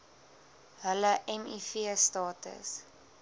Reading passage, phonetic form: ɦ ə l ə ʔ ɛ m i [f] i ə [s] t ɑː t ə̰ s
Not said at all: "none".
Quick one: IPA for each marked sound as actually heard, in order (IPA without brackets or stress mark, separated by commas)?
f, s